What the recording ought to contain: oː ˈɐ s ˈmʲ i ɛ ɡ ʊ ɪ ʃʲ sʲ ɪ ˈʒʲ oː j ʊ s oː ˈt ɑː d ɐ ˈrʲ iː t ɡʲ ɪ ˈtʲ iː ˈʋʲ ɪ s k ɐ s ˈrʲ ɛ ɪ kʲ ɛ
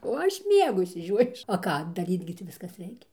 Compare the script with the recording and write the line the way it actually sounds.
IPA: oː ˈɐ ʃ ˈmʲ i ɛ ɡ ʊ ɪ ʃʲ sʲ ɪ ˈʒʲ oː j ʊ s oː ˈk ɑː d ɐ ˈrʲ iː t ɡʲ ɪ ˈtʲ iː ˈʋʲ ɪ s k ɐ s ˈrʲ ɛ ɪ kʲ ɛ